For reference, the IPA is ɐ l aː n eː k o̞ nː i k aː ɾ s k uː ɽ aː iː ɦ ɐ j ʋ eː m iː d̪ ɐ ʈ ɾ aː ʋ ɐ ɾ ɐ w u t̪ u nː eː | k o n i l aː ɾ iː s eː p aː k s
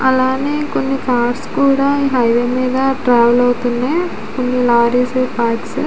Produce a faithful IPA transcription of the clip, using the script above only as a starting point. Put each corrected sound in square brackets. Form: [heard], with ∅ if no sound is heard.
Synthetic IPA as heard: ɐ l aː n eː k o̞ nː i k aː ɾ s k uː ɽ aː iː ɦ ɐ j ʋ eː m iː d̪ ɐ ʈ ɾ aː ʋ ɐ [l] ɐ w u t̪ u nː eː | k o [nː] i l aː ɾ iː s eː p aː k s